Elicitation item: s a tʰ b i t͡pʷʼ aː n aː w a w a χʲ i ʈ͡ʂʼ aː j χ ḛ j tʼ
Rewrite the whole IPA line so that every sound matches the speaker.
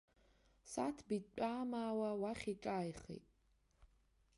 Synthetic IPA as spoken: s a tʰ b i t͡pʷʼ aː m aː w a w a χʲ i ʈ͡ʂʼ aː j χ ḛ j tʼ

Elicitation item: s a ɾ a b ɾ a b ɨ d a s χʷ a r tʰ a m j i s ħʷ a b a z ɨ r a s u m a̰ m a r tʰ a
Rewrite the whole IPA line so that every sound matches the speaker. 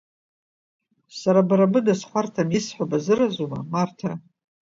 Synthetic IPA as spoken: s a ɾ a b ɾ a b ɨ d a s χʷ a r tʰ a m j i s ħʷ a b a z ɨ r a z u m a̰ m a r tʰ a

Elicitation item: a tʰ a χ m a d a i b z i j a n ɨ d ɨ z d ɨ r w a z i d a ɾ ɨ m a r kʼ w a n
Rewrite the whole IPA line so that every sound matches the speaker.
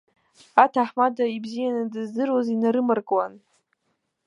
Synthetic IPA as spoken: a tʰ a ħ m a d a i b z i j a n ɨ d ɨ z d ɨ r w a z i n a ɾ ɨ m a r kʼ w a n

